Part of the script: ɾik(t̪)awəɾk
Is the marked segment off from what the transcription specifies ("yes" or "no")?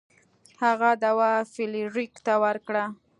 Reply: no